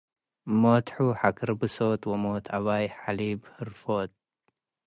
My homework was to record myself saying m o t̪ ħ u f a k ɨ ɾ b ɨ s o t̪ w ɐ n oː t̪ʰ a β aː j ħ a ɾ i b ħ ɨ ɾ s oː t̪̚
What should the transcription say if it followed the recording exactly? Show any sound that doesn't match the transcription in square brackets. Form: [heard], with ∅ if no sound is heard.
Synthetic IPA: m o t̪ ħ u [ħ] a k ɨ ɾ b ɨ s o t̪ w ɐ [m] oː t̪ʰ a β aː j ħ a [l] i b [h] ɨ ɾ [f] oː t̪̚